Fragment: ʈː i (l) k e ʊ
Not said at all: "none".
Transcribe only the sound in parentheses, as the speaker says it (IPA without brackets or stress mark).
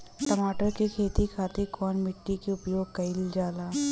none